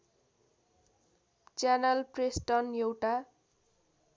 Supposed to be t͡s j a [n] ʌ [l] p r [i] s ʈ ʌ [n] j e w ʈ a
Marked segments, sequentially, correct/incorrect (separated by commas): correct, correct, incorrect, correct